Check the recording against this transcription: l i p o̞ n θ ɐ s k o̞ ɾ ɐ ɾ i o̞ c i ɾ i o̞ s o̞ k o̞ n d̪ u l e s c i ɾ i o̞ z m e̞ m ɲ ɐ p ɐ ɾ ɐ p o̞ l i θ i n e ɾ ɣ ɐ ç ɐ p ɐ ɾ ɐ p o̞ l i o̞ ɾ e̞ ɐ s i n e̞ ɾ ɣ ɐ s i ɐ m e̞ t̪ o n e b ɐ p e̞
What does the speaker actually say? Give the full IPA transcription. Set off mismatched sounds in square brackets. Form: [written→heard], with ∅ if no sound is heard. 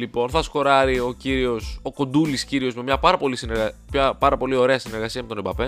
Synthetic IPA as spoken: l i p o̞ n θ ɐ s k o̞ ɾ ɐ ɾ i o̞ c i ɾ i o̞ s o̞ k o̞ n d̪ u l [e→i] s c i ɾ i o̞ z m e̞ m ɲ ɐ p ɐ ɾ ɐ p o̞ l i [θ→s] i n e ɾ ɣ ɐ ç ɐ p ɐ ɾ ɐ p o̞ l i o̞ ɾ e̞ ɐ s i n e̞ ɾ ɣ ɐ s i ɐ m e̞ t̪ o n e b ɐ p e̞